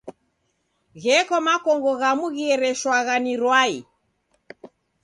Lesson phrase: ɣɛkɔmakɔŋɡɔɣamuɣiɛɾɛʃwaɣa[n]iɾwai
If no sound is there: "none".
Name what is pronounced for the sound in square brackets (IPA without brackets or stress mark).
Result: n